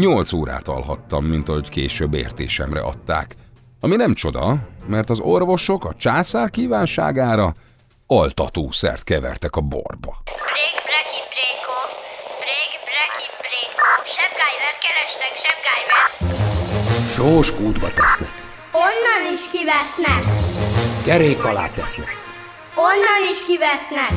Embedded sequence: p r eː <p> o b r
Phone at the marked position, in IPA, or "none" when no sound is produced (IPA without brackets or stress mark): k